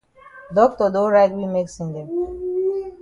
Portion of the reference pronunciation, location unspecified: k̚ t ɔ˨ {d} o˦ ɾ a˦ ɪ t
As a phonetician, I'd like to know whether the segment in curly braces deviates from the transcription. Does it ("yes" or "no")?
no